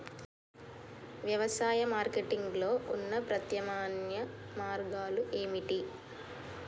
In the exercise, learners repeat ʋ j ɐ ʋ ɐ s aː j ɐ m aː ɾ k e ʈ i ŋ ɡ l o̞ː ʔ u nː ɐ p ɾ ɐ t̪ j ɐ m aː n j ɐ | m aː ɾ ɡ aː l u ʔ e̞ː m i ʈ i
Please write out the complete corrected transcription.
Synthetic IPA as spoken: ʋ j ɐ ʋ ɐ s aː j ɐ m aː ɾ k e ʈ i ŋ ɡ l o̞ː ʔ u nː ɐ p ɾ ɐ t̪ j ɐ m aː n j ɐ | m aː ɾ ɡ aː l u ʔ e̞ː m i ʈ i